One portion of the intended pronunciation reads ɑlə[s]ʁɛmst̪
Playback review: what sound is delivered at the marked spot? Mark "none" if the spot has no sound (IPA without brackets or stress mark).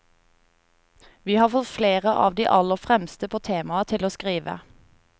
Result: f